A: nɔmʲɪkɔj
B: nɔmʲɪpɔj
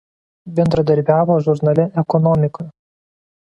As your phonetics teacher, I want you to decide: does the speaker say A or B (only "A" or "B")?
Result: A